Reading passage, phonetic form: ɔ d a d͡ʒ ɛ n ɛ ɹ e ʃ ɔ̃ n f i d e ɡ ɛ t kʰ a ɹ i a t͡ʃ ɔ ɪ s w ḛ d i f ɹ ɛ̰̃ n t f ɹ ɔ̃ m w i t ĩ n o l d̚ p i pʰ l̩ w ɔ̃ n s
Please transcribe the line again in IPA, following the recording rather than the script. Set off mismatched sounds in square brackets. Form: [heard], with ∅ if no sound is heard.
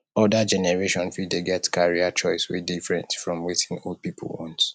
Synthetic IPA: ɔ d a d͡ʒ ɛ n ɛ ɹ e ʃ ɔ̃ n f i d e ɡ ɛ t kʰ a ɹ i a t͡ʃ ɔ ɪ s w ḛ d i f ɹ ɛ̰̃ n t f ɹ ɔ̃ m w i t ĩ n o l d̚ p i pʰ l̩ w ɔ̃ n [t]